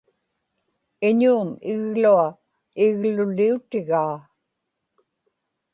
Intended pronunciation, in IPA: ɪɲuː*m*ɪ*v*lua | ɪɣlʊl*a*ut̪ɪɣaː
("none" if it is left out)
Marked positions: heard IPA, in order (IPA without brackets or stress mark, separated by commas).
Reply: m, ɣ, i